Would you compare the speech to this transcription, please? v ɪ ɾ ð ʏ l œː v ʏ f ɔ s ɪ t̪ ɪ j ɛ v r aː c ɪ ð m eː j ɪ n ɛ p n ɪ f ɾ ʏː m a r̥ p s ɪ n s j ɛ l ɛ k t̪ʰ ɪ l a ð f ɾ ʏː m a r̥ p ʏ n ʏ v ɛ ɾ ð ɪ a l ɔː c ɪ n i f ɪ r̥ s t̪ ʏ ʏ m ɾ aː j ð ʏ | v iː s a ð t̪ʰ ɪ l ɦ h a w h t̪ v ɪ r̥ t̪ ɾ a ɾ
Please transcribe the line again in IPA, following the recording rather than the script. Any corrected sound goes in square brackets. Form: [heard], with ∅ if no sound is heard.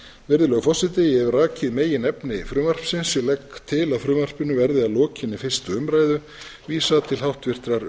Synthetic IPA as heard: v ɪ ɾ ð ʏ l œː [ɣ] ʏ f ɔ s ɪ t̪ ɪ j ɛ v r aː c ɪ ð m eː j ɪ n ɛ p n ɪ f ɾ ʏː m a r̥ p s ɪ n s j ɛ l ɛ k t̪ʰ ɪ l a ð f ɾ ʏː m a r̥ p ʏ n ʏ v ɛ ɾ ð ɪ a l ɔː c ɪ n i f ɪ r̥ s t̪ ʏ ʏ m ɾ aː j ð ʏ | v iː s a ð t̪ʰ ɪ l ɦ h a w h t̪ v ɪ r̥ t̪ ɾ a ɾ